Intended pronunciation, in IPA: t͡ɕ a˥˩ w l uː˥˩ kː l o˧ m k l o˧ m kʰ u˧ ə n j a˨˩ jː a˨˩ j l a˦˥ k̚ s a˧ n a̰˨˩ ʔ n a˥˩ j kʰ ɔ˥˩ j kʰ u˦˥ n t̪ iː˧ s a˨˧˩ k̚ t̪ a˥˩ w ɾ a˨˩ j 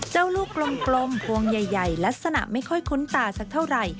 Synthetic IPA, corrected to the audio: t͡ɕ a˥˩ w l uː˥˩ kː l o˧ m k l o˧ m pʰ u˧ ə ŋ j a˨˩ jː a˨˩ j l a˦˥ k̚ s a˧ n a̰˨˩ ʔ m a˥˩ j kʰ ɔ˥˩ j kʰ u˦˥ n t̪ aː˧ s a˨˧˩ k̚ t̪ʰ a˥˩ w ɾ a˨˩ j